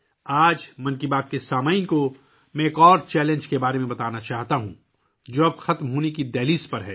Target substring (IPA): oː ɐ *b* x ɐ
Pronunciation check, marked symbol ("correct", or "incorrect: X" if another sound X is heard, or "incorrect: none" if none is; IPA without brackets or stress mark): correct